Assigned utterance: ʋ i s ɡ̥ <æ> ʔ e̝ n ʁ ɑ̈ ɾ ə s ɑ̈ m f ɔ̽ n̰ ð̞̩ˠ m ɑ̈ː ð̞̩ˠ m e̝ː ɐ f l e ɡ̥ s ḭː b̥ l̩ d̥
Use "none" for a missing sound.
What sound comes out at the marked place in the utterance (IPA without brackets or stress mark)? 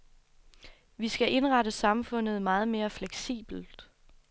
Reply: æ